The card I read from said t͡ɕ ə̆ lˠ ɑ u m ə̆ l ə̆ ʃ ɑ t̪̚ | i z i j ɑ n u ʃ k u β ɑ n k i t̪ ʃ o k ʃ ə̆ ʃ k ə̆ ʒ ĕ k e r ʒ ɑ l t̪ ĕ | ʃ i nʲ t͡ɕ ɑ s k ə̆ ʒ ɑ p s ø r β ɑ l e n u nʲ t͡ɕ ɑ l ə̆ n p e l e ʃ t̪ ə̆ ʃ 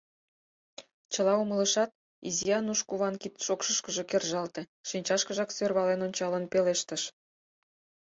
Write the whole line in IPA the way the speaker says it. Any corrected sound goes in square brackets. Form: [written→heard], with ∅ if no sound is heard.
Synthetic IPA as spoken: t͡ɕ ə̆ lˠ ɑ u m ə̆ l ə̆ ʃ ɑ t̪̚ | i z i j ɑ n u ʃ k u β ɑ n k i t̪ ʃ o k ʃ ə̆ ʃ k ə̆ ʒ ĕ k e r ʒ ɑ l t̪ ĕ | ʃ i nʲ t͡ɕ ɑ [s→ʃ] k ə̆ ʒ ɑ [p→k] s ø r β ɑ l e n [u→o] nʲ t͡ɕ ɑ l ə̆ n p e l e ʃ t̪ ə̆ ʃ